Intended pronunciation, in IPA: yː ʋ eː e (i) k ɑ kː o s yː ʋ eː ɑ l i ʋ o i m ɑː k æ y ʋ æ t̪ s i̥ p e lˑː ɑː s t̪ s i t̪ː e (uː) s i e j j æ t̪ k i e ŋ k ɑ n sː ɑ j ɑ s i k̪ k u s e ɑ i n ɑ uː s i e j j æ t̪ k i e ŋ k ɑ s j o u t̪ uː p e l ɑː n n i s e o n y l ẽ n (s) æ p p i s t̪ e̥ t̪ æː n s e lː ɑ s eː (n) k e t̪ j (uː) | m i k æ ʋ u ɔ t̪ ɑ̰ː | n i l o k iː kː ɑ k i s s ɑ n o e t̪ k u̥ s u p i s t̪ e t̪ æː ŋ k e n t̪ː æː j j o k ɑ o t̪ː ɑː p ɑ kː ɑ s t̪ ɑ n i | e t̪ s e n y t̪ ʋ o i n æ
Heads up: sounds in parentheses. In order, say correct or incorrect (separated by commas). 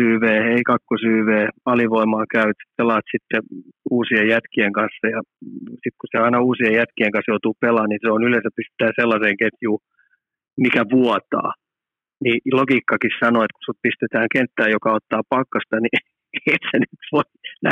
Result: correct, correct, correct, incorrect, correct